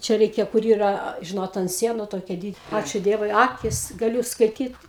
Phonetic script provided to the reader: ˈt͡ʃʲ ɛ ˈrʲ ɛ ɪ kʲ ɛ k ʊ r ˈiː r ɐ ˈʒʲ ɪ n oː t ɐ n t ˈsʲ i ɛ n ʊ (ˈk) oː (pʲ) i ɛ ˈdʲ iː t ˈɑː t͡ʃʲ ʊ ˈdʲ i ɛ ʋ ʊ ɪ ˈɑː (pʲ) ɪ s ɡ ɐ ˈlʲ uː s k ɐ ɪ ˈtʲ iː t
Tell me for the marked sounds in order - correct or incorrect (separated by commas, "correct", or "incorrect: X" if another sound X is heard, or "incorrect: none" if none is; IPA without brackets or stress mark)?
incorrect: t, incorrect: kʲ, incorrect: kʲ